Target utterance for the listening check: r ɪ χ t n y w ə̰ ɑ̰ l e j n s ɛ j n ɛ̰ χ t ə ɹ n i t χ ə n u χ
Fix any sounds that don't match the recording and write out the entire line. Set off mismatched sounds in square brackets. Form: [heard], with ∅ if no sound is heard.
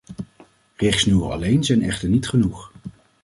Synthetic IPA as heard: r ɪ χ [s] n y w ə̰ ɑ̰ l e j n [z] ɛ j n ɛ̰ χ t ə ɹ n i t χ ə n u χ